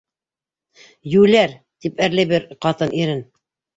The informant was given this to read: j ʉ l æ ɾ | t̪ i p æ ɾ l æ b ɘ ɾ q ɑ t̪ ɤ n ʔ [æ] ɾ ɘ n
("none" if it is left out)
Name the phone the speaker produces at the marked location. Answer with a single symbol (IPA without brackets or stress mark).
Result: i